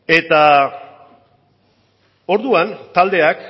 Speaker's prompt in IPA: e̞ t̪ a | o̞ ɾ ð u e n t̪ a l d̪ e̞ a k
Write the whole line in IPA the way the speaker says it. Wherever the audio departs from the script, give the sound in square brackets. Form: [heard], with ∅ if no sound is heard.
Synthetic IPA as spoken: e̞ t̪ a | o̞ ɾ ð u [a] n t̪ a l d̪ e̞ a k